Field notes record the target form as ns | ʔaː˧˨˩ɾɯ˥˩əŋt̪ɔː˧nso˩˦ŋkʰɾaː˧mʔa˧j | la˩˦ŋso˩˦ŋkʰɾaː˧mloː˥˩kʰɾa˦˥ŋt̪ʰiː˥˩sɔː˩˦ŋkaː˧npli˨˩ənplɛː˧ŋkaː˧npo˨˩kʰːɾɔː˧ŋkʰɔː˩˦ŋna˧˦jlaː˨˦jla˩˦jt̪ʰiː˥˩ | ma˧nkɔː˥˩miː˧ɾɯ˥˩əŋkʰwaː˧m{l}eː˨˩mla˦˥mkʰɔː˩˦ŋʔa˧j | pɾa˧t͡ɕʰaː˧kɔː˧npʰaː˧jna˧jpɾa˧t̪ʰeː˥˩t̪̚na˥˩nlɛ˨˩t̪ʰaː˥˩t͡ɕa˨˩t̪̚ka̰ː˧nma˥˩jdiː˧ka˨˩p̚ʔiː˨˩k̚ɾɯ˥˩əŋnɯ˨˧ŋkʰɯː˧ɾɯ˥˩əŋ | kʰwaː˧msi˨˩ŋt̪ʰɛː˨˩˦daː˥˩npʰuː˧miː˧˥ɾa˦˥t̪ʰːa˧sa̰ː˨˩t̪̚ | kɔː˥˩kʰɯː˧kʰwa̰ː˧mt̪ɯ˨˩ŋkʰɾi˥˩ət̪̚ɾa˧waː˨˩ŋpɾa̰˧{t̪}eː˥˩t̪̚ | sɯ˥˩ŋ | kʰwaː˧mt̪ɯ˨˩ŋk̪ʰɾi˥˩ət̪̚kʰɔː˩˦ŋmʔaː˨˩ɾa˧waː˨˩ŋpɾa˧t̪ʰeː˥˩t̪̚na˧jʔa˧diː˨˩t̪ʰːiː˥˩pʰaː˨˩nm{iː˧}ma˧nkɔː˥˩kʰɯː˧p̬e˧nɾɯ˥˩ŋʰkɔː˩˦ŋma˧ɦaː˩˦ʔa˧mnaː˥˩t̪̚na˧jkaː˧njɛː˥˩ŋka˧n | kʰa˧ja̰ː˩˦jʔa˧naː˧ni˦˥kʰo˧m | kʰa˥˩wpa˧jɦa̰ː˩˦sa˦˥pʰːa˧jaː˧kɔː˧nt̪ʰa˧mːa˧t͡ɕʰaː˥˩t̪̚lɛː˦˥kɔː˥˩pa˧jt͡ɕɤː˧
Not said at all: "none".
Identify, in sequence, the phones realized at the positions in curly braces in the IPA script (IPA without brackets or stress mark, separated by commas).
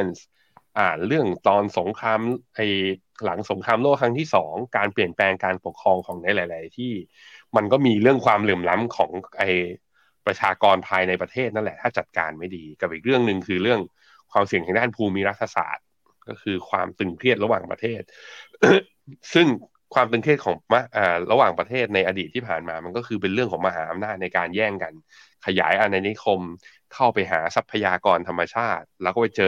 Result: l, t̪ʰ, aː˧